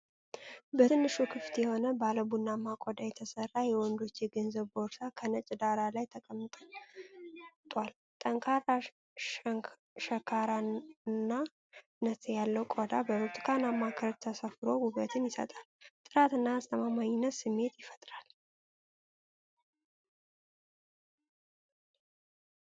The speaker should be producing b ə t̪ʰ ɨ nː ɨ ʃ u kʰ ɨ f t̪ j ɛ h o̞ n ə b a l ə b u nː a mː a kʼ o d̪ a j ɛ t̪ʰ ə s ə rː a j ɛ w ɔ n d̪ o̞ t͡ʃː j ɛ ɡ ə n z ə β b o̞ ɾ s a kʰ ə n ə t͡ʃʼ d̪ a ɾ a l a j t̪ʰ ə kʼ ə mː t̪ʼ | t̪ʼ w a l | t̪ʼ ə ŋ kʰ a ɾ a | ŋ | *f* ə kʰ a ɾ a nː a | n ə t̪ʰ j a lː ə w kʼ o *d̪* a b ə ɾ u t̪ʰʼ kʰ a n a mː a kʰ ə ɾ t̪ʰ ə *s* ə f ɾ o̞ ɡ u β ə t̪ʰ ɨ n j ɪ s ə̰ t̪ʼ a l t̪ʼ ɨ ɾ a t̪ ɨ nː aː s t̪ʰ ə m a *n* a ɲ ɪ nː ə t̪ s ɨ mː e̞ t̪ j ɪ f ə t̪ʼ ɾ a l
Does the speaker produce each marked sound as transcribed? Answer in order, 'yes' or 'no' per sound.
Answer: no, yes, yes, no

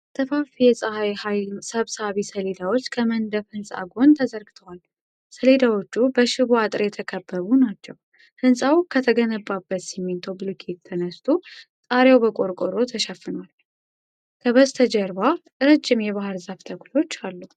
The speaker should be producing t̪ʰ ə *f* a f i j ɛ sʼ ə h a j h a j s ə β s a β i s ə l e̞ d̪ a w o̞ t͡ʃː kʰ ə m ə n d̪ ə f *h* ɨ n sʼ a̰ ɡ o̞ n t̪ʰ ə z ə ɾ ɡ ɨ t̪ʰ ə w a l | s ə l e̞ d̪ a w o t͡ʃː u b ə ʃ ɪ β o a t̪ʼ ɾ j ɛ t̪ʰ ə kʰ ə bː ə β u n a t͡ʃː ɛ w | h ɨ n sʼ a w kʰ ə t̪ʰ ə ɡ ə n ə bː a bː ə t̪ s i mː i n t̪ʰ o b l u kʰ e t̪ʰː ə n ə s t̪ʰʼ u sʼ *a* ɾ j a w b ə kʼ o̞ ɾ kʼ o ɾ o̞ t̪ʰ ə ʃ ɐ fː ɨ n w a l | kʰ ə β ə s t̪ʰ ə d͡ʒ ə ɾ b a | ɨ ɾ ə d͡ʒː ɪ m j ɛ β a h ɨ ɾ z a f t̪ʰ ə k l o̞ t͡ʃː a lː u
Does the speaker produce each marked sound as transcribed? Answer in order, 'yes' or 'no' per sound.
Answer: yes, yes, yes

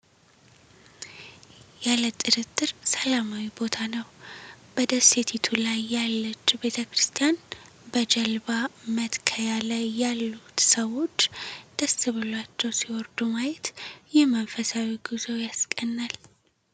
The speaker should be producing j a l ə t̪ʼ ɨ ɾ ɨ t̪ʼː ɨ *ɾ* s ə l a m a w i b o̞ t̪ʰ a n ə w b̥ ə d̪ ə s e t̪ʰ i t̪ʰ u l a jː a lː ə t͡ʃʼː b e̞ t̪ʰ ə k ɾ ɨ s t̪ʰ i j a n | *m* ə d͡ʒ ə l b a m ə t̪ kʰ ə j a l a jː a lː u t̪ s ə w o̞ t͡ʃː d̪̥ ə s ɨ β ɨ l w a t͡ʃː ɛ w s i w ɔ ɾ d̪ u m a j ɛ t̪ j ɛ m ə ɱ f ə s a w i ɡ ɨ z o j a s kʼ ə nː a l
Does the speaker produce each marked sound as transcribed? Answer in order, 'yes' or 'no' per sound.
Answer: yes, no

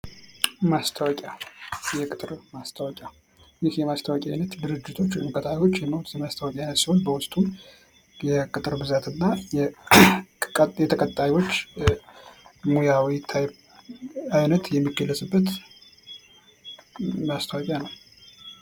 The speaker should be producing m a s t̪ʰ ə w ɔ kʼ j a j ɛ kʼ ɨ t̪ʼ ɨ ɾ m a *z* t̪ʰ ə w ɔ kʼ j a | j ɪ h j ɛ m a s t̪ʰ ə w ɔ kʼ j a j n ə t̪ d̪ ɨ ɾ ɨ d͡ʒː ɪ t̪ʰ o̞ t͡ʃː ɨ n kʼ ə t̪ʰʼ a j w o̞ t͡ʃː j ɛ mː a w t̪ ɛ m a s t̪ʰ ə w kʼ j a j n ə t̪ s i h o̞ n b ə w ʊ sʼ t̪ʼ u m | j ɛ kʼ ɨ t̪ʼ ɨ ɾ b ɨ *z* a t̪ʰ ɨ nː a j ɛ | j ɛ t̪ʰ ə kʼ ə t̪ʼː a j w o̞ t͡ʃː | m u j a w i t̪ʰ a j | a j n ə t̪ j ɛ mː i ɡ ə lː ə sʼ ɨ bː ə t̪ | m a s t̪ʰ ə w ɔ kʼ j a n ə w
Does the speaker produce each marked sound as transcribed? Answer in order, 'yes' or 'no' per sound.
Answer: no, yes

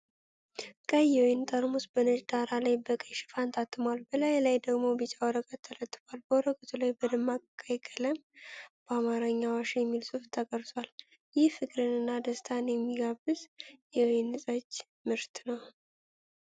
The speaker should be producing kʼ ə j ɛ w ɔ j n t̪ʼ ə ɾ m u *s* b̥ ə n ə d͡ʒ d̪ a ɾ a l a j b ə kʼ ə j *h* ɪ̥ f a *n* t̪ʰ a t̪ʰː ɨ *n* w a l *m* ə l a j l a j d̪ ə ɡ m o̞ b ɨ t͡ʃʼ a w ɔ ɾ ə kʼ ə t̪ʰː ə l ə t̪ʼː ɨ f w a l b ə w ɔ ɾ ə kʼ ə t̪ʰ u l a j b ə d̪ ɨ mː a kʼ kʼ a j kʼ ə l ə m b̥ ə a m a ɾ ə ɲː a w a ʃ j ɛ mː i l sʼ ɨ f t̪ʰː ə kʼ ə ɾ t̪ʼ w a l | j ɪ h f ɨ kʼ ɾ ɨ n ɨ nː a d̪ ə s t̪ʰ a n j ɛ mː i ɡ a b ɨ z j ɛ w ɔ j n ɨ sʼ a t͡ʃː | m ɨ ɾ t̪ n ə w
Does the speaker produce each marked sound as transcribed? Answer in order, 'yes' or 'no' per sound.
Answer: yes, no, yes, no, no

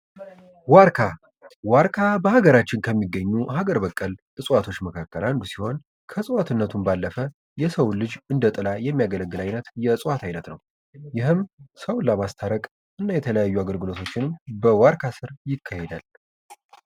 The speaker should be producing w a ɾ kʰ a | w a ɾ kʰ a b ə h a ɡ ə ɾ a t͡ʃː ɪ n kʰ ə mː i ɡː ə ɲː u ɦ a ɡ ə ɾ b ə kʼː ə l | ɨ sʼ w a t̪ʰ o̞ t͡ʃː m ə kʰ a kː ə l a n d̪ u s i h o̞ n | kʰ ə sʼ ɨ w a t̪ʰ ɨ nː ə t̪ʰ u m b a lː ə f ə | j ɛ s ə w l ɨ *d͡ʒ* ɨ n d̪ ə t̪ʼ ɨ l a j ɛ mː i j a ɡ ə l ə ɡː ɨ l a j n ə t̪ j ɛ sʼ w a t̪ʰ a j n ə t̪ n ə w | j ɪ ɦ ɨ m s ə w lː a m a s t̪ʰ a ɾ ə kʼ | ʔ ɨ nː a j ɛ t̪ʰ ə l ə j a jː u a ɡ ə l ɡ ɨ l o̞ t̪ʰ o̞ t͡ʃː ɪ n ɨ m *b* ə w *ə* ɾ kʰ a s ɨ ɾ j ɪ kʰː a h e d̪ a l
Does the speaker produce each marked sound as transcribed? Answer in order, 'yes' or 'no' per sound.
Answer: yes, yes, no

